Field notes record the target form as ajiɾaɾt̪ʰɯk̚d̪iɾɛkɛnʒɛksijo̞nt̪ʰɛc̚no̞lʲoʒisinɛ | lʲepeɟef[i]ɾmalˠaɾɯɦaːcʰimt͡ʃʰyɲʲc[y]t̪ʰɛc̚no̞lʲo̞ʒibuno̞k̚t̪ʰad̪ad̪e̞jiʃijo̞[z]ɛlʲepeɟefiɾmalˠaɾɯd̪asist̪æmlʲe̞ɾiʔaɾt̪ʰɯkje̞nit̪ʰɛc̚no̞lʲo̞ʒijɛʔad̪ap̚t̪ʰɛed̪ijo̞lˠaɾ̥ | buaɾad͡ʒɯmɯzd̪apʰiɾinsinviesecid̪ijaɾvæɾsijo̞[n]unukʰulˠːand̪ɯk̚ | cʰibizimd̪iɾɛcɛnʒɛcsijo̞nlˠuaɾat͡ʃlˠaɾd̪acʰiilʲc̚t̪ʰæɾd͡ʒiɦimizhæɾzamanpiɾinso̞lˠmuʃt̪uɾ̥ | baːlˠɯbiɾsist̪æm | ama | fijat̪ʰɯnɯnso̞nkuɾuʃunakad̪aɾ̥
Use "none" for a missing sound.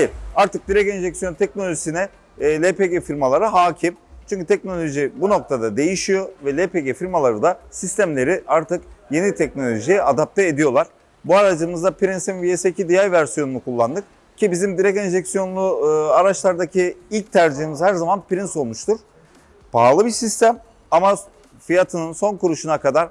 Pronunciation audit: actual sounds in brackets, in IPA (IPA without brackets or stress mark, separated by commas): i, y, v, n